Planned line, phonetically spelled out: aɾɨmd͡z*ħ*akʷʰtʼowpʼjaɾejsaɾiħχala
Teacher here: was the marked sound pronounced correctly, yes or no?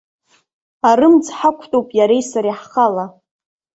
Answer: yes